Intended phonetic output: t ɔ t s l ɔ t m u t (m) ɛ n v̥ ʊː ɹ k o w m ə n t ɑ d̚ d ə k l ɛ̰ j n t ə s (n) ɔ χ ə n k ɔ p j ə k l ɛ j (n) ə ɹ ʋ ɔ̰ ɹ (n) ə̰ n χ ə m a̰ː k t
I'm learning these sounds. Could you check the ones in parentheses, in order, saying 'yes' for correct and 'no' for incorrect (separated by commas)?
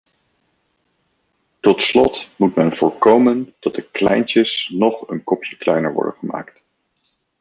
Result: yes, yes, yes, no